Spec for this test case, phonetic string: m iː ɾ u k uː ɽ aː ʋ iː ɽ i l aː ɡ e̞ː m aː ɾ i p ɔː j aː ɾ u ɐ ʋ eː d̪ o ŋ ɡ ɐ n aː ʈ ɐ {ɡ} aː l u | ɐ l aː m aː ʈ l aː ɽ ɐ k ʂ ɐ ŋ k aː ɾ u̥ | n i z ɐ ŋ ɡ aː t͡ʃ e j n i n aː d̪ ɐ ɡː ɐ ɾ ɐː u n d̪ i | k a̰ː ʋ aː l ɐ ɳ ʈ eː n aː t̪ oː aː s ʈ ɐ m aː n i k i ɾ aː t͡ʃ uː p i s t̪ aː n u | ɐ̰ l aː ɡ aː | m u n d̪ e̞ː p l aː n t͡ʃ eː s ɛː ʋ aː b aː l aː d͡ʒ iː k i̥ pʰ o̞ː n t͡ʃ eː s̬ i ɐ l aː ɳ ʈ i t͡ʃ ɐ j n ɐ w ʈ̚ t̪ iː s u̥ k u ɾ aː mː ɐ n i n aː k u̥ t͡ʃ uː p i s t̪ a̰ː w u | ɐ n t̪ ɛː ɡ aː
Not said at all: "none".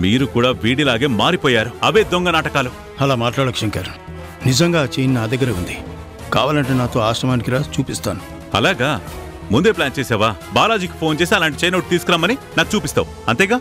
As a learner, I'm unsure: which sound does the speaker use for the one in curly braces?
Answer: k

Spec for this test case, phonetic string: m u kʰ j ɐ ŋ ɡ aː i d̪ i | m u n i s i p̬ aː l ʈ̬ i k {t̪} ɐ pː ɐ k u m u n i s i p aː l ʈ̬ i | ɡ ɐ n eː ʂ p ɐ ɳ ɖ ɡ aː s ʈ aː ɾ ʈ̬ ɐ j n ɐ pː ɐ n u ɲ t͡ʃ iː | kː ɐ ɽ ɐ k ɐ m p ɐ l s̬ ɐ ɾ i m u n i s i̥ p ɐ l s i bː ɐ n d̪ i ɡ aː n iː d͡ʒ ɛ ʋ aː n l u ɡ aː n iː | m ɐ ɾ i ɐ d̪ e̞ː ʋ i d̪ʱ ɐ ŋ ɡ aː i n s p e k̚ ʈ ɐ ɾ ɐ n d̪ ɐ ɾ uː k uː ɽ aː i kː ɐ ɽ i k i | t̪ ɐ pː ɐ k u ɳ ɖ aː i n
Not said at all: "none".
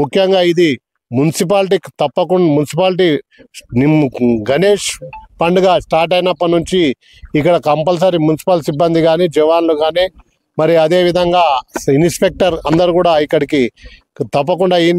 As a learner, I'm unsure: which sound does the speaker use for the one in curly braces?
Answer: t̪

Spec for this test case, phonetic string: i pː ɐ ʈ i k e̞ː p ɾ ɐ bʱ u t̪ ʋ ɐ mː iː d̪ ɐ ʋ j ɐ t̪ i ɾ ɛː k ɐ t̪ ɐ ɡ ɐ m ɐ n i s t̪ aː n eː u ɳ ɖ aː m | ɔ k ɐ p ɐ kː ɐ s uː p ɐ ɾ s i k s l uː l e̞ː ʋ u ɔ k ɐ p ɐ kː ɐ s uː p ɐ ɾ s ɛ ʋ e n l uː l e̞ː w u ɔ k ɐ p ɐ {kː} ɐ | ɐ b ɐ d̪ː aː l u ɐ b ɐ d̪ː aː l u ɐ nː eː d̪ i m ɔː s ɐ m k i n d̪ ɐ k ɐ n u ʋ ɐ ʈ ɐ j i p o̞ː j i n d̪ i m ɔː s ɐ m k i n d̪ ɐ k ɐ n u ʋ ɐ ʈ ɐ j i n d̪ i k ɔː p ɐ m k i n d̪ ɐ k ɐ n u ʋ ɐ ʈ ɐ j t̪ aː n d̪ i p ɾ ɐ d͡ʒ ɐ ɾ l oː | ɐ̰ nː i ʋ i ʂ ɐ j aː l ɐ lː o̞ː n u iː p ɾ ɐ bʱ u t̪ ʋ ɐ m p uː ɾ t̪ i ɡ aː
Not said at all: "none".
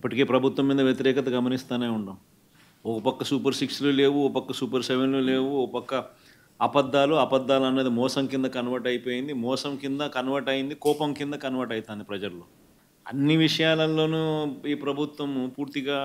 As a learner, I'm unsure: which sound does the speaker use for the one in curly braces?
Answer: kː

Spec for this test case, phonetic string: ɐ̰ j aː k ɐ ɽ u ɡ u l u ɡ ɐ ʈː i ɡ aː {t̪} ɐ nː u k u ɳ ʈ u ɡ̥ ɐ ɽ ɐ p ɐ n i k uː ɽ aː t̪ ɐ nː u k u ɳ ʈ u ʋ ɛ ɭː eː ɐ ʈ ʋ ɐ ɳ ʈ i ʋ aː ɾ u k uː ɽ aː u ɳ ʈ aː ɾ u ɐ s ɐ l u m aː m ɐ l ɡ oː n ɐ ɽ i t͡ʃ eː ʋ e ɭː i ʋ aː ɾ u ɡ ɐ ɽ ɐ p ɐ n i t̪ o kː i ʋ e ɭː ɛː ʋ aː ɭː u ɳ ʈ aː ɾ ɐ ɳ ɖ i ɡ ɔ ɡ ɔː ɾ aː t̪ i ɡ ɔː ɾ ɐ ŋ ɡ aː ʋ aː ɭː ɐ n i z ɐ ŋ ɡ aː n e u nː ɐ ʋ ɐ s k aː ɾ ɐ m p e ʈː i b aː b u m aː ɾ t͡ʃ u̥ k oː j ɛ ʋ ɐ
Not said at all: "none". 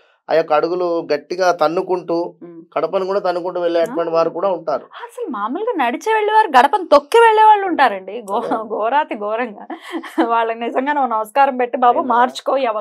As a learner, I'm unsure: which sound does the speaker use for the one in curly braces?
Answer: t̪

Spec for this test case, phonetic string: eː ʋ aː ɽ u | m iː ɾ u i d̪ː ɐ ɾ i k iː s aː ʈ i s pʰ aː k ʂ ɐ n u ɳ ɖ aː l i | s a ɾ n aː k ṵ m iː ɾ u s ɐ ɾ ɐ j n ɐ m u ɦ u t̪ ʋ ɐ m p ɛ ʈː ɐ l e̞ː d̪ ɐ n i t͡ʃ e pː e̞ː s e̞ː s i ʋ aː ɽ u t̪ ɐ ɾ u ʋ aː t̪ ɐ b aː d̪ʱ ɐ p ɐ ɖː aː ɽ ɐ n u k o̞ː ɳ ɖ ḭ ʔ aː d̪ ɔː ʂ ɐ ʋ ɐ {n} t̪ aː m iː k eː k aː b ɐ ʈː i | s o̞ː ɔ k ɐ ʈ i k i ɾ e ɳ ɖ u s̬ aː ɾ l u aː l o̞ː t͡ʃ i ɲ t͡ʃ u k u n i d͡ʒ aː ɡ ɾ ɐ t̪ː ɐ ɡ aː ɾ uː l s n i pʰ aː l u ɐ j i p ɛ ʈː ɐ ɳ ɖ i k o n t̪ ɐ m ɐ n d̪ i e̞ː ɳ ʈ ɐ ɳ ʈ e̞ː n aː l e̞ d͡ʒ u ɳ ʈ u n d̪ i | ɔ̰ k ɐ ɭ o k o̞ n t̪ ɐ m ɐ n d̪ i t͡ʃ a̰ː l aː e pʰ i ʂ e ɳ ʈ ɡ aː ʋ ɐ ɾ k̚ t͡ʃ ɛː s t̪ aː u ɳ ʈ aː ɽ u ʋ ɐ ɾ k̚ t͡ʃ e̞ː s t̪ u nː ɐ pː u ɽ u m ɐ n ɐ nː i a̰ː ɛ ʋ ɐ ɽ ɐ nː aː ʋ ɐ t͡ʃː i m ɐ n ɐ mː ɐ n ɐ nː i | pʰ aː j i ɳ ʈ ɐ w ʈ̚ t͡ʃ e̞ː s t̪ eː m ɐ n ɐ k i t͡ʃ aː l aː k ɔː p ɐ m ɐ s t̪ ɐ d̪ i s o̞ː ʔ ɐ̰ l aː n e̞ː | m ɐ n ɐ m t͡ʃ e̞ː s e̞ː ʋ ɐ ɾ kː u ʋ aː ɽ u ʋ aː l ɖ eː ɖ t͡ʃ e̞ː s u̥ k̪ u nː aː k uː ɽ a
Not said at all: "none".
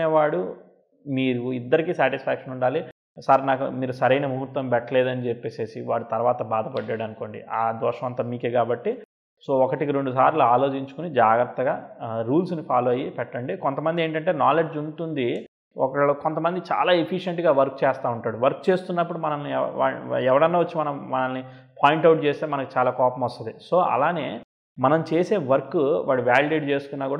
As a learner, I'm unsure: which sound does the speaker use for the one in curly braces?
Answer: n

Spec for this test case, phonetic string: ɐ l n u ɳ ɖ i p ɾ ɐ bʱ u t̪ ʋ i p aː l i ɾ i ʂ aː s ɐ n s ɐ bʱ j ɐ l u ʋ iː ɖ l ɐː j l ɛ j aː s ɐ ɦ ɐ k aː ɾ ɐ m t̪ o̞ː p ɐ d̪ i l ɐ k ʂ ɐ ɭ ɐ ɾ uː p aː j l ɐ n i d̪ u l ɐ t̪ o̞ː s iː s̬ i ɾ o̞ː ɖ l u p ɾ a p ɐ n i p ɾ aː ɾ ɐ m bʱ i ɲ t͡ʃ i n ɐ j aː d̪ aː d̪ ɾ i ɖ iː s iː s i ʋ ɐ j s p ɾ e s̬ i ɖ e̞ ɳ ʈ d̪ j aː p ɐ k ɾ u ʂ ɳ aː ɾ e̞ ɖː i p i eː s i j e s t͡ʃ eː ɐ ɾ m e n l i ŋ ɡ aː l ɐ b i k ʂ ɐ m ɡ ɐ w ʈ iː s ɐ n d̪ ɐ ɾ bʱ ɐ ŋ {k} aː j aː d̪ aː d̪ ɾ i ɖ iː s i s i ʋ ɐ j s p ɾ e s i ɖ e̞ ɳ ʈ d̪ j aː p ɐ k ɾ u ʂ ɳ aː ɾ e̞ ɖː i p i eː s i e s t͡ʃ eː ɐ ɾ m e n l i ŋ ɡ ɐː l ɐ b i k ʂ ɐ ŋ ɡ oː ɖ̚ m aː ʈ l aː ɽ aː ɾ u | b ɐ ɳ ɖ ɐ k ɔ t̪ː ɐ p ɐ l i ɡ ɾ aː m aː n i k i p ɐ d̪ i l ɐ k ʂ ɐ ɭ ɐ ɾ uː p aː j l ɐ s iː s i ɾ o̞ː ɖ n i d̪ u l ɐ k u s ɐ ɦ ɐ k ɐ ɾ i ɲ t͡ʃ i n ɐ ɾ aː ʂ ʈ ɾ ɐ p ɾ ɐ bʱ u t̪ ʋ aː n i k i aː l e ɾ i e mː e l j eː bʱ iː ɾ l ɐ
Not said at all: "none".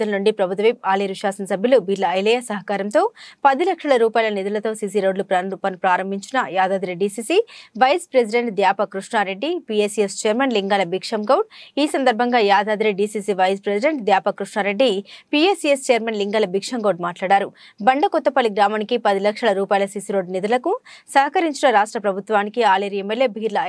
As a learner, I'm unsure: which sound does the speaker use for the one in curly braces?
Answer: ɡ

